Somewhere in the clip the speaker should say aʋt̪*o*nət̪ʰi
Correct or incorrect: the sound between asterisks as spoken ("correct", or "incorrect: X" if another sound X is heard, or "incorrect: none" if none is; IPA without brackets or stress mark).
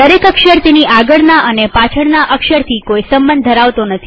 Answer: correct